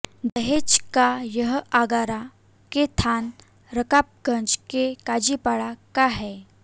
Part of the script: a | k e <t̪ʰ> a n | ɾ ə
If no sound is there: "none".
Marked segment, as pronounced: t̪ʰ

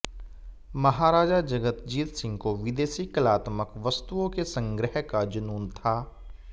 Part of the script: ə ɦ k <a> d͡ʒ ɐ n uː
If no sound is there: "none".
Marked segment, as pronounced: a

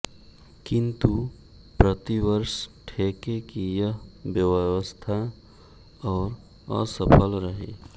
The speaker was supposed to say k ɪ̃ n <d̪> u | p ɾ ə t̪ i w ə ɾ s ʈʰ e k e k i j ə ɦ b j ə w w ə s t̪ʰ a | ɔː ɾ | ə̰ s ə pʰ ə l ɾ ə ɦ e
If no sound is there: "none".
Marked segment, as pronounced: t̪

